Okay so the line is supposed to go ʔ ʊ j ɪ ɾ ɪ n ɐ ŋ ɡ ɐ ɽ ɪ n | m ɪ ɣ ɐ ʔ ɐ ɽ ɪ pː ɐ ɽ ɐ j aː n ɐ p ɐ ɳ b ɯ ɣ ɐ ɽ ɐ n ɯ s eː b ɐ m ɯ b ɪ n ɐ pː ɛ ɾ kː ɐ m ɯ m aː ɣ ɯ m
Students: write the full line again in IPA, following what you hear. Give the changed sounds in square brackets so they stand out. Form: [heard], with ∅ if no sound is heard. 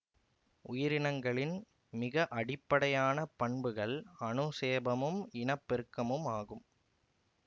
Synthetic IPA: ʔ ʊ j ɪ ɾ ɪ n ɐ ŋ ɡ ɐ [ɭ] ɪ n | m ɪ ɣ ɐ ʔ ɐ ɽ ɪ pː ɐ ɽ ɐ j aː n ɐ p ɐ ɳ b ɯ ɣ ɐ [ɭ] ɐ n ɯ s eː b ɐ m ɯ [m] ɪ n ɐ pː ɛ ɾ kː ɐ m ɯ m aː ɣ ɯ m

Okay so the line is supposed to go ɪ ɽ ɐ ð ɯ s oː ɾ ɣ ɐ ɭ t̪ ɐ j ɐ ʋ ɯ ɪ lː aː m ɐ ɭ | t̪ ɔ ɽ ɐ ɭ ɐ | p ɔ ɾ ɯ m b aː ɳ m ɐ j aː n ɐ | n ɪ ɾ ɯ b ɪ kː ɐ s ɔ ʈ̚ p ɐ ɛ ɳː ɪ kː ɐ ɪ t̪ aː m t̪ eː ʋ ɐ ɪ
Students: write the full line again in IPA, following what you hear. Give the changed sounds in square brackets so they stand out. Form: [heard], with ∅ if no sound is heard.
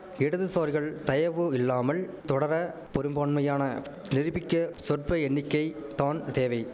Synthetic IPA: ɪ ɽ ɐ ð ɯ s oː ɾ ɣ ɐ ɭ t̪ ɐ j ɐ ʋ ɯ ɪ lː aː m ɐ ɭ | t̪ ɔ ɽ ɐ [ɾ] ɐ | p ɔ ɾ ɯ m b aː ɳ m ɐ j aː n ɐ | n ɪ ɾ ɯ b ɪ kː ɐ s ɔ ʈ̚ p ɐ ɛ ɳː ɪ kː ɐ ɪ t̪ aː [n] t̪ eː ʋ ɐ ɪ

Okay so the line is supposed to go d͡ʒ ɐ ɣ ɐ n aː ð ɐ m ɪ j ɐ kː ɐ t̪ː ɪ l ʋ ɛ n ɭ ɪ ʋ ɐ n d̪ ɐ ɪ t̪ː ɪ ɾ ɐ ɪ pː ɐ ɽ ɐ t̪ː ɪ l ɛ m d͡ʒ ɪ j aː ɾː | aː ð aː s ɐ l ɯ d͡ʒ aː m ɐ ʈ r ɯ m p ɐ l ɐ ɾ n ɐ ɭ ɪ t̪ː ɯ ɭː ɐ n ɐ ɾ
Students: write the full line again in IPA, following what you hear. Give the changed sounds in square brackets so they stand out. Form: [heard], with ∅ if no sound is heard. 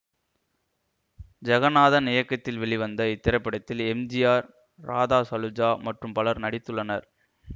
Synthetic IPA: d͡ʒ ɐ ɣ ɐ n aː ð ɐ [n] ɪ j ɐ kː ɐ t̪ː ɪ l ʋ ɛ [∅] ɭ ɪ ʋ ɐ n d̪ ɐ ɪ t̪ː ɪ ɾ ɐ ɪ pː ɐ ɽ ɐ t̪ː ɪ l ɛ m d͡ʒ ɪ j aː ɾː | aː ð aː s ɐ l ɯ d͡ʒ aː m ɐ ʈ r ɯ m p ɐ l ɐ ɾ n ɐ [ɽ] ɪ t̪ː ɯ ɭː ɐ n ɐ ɾ

